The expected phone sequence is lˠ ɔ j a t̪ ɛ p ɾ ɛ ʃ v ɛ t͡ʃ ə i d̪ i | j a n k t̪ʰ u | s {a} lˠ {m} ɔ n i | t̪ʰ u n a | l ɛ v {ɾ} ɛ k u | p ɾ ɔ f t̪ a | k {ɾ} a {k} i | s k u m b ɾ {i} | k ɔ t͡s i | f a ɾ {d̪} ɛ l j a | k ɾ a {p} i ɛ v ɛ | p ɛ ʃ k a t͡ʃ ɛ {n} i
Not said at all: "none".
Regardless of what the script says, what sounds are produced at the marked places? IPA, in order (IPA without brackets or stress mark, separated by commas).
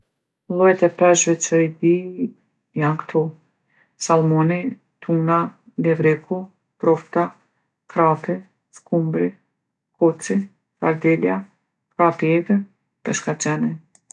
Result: a, m, ɾ, ɾ, p, i, d̪, p, n